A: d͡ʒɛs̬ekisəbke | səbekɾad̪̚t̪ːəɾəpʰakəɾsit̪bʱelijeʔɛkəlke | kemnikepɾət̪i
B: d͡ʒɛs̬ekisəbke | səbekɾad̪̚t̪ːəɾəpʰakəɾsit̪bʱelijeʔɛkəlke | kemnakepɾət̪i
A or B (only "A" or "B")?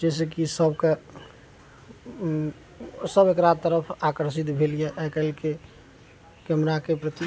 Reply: B